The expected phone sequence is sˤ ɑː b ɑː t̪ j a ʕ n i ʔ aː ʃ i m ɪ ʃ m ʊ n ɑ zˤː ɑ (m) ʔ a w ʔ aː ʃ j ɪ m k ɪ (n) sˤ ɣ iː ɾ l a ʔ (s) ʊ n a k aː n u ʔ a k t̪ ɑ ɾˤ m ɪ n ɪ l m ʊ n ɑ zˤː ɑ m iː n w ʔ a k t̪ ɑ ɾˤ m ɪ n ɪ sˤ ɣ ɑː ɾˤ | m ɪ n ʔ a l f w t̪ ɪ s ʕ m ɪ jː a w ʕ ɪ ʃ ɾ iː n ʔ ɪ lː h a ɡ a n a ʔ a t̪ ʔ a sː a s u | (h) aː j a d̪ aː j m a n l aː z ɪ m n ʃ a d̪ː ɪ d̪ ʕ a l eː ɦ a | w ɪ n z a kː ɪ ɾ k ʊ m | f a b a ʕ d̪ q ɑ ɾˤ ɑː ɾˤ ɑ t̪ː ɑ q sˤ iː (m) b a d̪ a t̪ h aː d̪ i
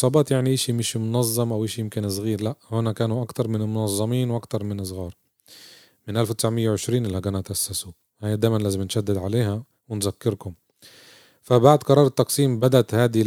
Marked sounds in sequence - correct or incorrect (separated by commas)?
correct, correct, incorrect, correct, correct